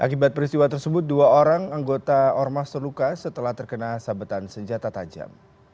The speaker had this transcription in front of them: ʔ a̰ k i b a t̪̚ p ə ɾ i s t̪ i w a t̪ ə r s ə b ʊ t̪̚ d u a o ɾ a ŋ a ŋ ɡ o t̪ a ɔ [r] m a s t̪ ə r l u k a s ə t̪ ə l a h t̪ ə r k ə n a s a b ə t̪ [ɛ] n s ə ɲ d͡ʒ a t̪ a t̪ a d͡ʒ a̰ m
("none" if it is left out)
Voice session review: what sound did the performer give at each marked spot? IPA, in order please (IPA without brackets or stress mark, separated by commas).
r, a